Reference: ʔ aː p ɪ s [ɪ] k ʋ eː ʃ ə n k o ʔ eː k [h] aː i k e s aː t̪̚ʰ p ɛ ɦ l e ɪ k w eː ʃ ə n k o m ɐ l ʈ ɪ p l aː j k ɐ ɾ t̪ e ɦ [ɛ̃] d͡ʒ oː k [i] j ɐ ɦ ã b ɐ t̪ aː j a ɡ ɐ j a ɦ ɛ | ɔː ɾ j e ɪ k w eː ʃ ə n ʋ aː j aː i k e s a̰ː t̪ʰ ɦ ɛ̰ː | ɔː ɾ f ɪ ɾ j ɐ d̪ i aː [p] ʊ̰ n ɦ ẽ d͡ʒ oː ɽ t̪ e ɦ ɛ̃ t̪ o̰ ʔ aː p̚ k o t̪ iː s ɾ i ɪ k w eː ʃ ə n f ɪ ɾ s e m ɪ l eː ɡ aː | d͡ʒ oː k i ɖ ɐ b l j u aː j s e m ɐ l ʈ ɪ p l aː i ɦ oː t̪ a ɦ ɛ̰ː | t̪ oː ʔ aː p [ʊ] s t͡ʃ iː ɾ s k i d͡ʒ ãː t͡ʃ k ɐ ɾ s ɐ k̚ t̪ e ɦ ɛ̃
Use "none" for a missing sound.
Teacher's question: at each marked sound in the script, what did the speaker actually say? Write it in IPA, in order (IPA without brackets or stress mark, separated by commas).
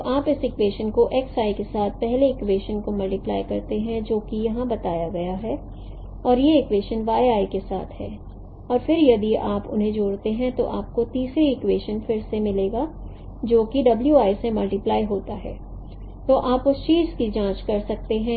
ɪ, s, ɛ̃, i, p, ʊ